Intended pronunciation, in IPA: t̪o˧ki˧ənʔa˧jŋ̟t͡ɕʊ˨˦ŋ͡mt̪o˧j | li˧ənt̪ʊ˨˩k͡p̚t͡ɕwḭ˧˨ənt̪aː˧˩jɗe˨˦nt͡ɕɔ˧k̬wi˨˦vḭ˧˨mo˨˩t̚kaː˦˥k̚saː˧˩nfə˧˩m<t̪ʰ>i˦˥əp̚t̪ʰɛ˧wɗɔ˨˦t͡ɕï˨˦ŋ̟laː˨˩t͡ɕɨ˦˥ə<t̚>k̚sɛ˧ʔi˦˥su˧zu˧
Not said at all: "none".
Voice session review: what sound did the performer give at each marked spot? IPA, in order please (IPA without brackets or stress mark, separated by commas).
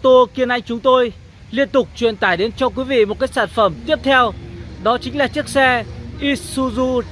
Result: t̪, none